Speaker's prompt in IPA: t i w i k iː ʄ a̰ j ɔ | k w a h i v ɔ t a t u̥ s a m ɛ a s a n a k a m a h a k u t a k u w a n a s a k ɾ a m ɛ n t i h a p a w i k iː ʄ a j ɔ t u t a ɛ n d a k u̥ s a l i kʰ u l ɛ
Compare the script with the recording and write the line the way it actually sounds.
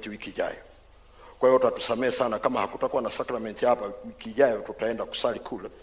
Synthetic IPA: t i w i k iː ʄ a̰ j ɔ | k w a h i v ɔ t a t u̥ s a m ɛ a s a n a k a m a h a k u t a k u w a n a s a k ɾ a m ɛ n t i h a p a w i k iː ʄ a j ɔ t u t a ɛ n d a k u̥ s a l i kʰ u l ɛ